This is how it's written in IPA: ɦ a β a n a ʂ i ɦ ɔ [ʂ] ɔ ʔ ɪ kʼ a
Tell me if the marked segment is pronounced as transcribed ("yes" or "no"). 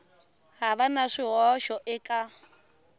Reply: no